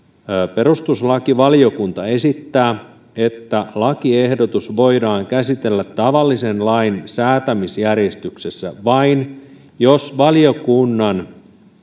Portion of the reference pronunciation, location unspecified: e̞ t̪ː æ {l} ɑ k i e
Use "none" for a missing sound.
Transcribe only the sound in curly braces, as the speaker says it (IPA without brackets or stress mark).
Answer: l